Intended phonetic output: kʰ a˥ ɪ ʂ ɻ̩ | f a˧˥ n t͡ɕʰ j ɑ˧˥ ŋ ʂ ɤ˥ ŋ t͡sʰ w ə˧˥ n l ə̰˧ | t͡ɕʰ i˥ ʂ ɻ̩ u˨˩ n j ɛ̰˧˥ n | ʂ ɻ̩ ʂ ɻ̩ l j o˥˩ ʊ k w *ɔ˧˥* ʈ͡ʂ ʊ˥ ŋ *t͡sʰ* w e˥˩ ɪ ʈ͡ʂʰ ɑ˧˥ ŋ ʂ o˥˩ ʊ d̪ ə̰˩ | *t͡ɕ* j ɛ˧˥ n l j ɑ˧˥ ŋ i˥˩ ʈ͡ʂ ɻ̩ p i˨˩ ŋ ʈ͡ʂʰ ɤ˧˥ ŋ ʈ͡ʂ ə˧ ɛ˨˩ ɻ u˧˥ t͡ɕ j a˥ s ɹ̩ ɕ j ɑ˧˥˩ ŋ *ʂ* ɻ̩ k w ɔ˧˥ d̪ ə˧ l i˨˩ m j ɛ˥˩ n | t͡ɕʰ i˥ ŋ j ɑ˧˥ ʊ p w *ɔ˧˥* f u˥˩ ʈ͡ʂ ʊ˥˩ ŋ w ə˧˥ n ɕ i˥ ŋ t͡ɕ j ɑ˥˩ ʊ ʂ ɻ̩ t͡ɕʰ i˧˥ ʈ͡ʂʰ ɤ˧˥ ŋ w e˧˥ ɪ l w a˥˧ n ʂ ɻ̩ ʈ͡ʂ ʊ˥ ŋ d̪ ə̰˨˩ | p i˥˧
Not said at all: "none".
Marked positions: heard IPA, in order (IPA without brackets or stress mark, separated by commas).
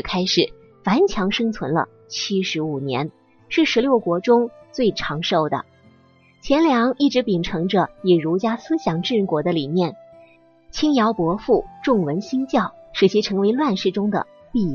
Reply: ɔ˧˥, t͡s, t͡ɕʰ, ʈ͡ʂ, ɔ˧˥